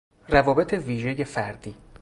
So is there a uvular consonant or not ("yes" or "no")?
no